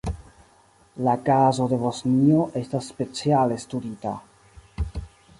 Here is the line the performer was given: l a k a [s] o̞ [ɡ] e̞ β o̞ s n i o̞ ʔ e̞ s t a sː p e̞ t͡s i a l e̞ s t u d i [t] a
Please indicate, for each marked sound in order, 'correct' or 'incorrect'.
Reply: incorrect, incorrect, correct

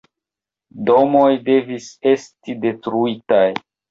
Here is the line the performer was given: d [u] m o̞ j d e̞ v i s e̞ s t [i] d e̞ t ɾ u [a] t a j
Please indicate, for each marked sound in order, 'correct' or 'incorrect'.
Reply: incorrect, correct, incorrect

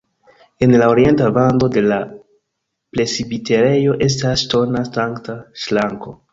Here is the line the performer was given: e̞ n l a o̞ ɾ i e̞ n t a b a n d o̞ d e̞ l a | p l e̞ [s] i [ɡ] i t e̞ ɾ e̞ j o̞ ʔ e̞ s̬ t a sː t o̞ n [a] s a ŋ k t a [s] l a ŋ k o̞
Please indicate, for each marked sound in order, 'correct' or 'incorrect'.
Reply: correct, incorrect, correct, incorrect

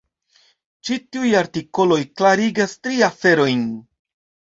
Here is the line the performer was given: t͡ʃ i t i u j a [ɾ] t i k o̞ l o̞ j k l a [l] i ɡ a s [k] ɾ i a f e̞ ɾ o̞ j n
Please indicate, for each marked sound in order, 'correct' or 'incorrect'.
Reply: correct, incorrect, incorrect

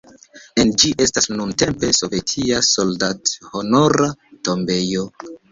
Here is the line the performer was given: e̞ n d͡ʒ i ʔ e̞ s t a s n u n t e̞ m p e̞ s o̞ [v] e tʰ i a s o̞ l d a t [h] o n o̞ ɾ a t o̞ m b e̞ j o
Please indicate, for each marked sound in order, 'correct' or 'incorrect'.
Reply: correct, correct

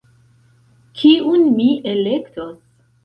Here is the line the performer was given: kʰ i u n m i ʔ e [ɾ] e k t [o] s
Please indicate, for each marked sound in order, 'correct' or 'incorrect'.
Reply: incorrect, correct

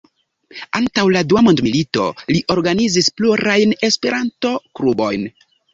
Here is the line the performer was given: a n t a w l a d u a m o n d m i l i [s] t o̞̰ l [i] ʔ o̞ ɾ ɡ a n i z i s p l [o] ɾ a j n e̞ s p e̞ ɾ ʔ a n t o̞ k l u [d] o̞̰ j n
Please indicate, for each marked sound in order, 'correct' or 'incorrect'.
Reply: incorrect, correct, incorrect, incorrect

